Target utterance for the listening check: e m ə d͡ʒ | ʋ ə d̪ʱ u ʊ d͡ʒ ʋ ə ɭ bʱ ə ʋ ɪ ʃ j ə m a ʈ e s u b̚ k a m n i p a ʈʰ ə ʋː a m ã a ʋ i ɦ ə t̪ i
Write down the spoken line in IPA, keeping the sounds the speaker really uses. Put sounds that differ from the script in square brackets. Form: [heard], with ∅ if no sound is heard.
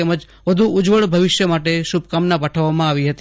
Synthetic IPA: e m ə d͡ʒ | ʋ ə d̪ʱ u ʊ d͡ʒ ʋ ə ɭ bʱ ə ʋ ɪ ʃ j ə m a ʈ e [ʃ] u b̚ k a m n [a] p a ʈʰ ə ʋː a m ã a ʋ i ɦ ə t̪ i